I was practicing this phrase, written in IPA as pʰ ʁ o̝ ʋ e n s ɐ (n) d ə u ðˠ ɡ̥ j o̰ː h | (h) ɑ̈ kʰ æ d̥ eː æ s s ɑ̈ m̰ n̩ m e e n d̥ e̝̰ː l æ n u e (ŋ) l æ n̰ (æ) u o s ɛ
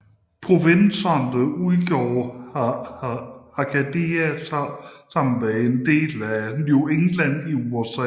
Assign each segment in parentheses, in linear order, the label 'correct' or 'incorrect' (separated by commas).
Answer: correct, correct, correct, incorrect